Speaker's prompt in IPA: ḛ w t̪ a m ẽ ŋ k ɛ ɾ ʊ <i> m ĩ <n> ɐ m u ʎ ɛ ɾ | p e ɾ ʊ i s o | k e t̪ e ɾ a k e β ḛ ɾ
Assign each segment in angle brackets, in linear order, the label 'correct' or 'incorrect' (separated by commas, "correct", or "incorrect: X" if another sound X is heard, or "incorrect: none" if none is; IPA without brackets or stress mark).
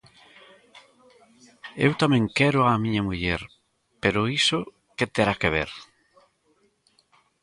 incorrect: a, incorrect: ɲ